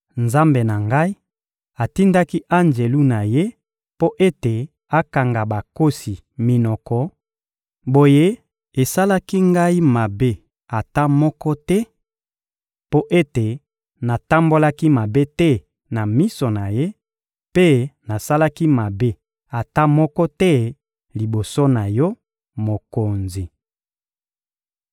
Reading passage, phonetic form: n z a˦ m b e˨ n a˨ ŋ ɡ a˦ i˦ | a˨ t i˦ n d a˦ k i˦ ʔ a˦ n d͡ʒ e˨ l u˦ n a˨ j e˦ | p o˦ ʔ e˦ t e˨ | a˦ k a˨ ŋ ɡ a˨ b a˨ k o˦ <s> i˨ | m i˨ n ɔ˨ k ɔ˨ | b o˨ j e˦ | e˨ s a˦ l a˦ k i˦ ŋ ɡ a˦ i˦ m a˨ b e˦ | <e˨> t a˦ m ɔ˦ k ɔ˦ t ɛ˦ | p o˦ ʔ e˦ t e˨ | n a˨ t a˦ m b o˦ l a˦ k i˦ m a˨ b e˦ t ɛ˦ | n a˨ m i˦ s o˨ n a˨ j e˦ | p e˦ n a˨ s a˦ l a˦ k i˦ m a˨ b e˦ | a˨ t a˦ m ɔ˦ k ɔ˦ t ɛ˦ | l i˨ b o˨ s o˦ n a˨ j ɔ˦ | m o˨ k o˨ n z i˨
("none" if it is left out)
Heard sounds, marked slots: s, a˨

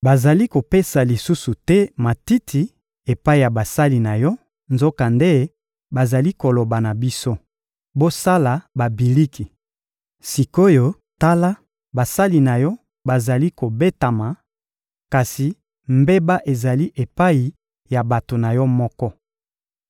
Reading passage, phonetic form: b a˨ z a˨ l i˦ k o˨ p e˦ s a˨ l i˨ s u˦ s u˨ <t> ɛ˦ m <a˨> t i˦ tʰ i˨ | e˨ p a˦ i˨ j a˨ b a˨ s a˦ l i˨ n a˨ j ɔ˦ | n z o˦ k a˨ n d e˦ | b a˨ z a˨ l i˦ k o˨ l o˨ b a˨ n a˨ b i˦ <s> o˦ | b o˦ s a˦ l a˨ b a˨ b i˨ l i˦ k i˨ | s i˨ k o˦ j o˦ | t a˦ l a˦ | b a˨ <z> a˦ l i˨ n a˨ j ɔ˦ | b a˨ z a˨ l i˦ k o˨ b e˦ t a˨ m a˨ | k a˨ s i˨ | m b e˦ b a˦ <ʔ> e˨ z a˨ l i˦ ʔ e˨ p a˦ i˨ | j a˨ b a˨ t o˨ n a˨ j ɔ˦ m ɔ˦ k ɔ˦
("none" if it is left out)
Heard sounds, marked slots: t, a˨, s, s, ʔ

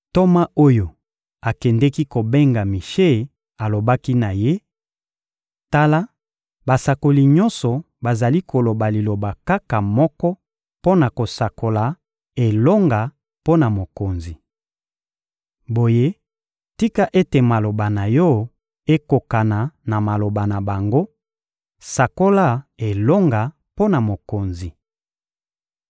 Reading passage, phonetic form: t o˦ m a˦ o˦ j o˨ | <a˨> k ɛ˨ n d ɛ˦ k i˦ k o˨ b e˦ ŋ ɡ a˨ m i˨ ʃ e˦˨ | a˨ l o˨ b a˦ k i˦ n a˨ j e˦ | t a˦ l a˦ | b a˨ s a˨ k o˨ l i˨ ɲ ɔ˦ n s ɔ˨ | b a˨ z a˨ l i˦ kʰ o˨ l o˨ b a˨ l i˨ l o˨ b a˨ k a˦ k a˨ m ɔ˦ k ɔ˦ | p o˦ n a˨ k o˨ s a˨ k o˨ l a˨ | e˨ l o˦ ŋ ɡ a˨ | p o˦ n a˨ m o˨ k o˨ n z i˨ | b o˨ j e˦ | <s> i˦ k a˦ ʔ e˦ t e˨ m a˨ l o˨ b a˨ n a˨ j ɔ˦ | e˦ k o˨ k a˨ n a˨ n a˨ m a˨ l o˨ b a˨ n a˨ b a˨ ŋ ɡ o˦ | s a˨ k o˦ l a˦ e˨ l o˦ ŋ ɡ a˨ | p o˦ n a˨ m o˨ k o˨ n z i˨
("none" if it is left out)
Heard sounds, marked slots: a˨, t

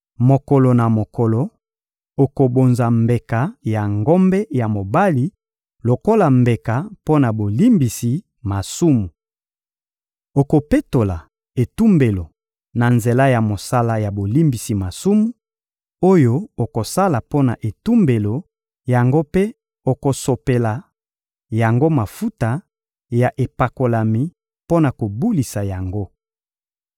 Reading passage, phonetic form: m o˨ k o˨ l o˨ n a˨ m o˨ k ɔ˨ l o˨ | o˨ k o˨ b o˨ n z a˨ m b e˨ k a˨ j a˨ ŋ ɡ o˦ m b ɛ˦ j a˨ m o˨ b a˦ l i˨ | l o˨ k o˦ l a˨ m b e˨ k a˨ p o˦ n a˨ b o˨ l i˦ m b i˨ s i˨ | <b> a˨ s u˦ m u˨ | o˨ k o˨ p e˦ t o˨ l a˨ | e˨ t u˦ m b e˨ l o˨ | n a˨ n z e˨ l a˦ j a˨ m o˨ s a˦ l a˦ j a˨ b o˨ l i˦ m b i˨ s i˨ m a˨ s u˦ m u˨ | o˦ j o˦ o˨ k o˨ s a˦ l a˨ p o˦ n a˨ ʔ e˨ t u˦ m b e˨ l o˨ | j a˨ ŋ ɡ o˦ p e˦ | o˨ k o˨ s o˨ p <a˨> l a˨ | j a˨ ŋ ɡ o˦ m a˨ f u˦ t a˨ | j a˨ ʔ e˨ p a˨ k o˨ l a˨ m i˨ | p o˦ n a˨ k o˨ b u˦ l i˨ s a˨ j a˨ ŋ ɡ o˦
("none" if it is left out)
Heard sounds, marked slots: m, e˨

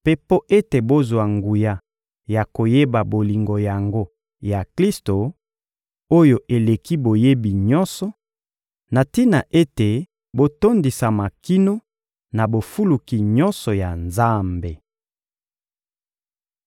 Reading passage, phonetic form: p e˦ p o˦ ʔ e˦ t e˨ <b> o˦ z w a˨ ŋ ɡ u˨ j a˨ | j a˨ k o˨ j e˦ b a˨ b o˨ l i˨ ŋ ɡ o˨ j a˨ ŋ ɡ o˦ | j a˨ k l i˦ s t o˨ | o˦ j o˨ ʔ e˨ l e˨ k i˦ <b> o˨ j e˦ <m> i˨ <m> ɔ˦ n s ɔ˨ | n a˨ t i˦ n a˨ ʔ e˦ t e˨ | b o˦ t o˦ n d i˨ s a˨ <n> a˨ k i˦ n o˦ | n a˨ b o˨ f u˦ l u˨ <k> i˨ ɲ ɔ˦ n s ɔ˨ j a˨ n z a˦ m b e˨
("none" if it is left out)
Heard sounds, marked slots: b, b, b, ɲ, m, k

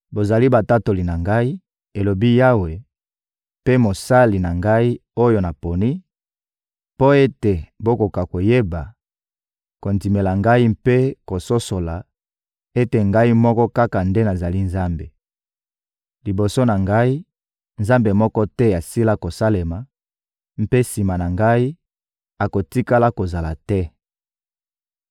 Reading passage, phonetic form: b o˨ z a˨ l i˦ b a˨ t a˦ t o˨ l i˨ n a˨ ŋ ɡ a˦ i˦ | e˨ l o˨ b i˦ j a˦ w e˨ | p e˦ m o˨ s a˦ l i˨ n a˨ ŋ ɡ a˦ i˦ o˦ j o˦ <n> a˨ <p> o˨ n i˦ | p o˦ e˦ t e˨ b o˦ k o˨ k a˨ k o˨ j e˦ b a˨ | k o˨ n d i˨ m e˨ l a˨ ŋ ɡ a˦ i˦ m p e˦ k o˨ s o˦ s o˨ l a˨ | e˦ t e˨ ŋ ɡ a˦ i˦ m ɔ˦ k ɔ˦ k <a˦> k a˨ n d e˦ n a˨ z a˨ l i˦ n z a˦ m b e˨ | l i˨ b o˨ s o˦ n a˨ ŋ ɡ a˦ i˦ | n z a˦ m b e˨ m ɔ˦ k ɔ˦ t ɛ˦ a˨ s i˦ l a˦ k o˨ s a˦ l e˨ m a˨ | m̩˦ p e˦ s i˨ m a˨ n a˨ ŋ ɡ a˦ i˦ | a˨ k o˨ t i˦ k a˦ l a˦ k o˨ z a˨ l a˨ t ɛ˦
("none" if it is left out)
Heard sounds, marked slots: n, p, a˦

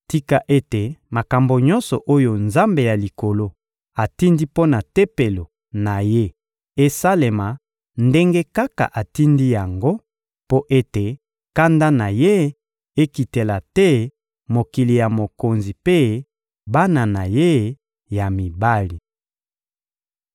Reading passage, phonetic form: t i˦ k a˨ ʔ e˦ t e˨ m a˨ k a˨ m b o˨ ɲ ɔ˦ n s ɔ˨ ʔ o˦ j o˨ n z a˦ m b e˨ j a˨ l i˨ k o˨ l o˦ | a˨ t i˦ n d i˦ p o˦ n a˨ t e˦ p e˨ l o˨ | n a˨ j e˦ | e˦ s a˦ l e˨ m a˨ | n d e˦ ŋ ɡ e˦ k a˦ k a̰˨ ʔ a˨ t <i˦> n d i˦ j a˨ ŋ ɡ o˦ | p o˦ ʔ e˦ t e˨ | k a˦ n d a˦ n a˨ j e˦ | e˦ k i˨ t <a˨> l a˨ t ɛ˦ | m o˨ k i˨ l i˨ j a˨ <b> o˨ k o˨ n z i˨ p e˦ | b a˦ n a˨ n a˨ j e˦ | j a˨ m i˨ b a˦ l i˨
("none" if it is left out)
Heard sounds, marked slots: i˦, e˨, m

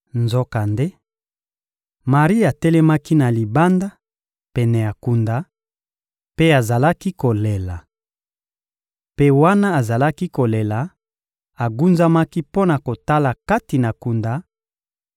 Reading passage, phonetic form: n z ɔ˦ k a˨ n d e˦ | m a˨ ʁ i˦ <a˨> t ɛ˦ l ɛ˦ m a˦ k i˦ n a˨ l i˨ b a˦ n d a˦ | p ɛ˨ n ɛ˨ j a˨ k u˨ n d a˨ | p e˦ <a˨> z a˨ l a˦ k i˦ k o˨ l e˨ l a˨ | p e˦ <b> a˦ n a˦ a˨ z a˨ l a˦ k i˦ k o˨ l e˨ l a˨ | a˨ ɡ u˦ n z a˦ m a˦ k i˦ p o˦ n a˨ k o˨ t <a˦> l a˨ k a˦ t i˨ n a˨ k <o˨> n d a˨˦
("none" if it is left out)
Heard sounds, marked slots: a˨, a˨, w, a˦, u˨

